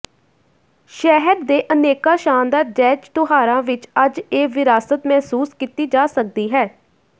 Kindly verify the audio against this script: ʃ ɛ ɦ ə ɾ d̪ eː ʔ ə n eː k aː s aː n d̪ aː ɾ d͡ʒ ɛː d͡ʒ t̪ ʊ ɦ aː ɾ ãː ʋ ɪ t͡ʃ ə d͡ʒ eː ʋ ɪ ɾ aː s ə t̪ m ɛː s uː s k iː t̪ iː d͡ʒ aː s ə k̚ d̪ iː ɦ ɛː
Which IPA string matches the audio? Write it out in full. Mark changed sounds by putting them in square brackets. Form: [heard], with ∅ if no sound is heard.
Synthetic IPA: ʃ ɛ ɦ ə ɾ d̪ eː ʔ ə n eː k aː [ʃ] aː n d̪ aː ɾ d͡ʒ ɛː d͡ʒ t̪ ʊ ɦ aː ɾ ãː ʋ ɪ t͡ʃ ə d͡ʒ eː ʋ ɪ ɾ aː s ə t̪ m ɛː s uː s k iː t̪ iː d͡ʒ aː s ə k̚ d̪ iː ɦ ɛː